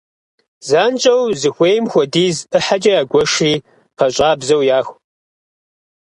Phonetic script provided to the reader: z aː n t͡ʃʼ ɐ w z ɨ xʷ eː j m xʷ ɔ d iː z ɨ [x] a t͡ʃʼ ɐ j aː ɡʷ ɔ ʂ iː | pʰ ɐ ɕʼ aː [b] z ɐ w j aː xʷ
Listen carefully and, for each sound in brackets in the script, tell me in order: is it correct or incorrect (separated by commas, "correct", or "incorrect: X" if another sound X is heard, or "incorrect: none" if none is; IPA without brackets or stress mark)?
incorrect: ħ, correct